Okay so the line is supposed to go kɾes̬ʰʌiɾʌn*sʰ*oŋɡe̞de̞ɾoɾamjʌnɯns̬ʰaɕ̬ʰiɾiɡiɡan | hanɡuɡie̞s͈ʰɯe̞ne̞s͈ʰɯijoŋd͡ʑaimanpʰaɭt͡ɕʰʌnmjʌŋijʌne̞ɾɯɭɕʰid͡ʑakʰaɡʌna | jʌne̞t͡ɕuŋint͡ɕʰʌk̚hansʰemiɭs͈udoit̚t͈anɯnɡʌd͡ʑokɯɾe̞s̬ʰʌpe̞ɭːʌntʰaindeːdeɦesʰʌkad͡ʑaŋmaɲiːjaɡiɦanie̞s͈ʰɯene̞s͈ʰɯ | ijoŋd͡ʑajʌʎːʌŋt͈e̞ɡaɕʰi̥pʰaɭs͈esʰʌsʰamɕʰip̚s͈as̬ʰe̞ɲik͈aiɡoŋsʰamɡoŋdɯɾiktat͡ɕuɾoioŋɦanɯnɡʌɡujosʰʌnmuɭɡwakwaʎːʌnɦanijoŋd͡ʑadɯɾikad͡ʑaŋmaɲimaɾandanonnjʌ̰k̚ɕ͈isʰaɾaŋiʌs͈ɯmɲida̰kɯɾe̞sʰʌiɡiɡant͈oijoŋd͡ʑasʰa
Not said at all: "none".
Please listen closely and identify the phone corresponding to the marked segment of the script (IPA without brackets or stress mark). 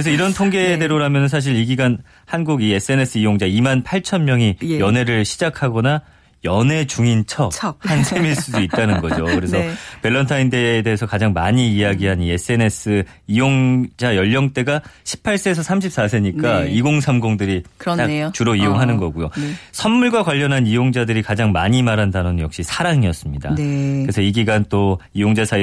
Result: tʰ